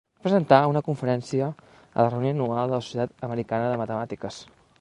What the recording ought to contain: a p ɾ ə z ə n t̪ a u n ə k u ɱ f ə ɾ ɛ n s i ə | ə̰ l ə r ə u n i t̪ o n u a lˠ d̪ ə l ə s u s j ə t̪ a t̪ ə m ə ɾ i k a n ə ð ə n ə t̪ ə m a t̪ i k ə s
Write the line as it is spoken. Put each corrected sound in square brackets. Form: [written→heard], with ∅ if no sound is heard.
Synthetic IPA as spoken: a p ɾ ə z ə n t̪ a u n ə k u ɱ f ə ɾ ɛ n s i ə | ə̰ l ə r ə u n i [t̪→∅] o n u a lˠ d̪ ə l ə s u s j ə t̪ a t̪ ə m ə ɾ i k a n ə ð ə [n→m] ə t̪ ə m a t̪ i k ə s